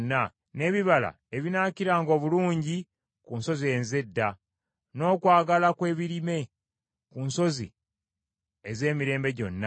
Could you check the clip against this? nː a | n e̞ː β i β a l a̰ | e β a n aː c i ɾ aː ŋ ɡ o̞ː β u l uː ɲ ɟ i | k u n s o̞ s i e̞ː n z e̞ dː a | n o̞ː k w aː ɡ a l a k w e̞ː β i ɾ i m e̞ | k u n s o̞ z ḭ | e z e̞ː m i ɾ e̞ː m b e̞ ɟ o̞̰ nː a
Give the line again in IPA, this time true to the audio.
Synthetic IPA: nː a | n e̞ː β i β a l a̰ | e β i n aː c i ɾ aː ŋ ɡ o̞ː β u l uː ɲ ɟ i | k u n s o̞ z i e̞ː n z e̞ dː a | n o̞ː k w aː ɡ a l a k w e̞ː β i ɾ i m e̞ | k u n s o̞ z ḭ | e z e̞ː m i ɾ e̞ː m b e̞ ɟ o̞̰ nː a